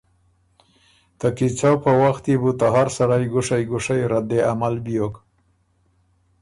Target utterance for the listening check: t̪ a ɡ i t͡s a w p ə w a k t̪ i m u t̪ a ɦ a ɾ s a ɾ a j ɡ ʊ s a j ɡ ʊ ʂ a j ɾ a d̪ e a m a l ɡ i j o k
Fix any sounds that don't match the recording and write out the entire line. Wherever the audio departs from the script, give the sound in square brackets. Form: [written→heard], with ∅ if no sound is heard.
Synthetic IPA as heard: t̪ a [ɡ→k] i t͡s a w p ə w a [k→x] t̪ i [m→b] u t̪ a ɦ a ɾ s a ɾ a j ɡ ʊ [s→ʂ] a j ɡ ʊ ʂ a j ɾ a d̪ e a m a l [ɡ→b] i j o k